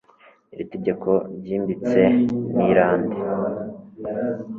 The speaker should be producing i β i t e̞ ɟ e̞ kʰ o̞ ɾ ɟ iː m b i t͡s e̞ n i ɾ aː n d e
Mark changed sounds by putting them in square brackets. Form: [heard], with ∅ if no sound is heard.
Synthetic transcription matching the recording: i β i t e̞ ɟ e̞ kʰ o̞ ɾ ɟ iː m b i t͡s e̞ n i ɾ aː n d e